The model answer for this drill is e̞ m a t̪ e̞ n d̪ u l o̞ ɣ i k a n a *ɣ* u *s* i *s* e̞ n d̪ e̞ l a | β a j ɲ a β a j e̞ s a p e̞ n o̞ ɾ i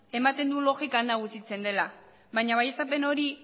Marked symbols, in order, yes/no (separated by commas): yes, yes, no